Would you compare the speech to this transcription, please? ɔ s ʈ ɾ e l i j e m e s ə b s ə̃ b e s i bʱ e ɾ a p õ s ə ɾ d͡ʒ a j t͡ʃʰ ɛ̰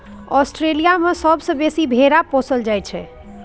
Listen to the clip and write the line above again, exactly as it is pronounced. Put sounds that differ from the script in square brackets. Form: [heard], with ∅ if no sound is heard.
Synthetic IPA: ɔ s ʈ ɾ e l i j [a] m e s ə b s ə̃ b e s i bʱ e ɾ a p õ s ə [l] d͡ʒ a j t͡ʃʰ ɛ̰